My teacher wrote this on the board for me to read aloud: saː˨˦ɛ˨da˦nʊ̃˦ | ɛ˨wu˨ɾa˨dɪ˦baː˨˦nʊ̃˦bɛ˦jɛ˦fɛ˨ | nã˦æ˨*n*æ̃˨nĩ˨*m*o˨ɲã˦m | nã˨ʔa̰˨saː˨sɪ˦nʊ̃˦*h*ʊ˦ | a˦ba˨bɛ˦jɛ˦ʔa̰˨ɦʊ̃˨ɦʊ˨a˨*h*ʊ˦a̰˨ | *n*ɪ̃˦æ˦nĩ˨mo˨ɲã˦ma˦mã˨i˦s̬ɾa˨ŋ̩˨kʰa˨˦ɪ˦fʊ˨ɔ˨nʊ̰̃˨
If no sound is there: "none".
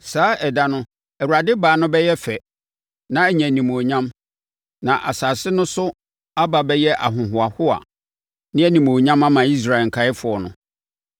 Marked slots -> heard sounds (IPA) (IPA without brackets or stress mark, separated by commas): ɲ, m, s, h, n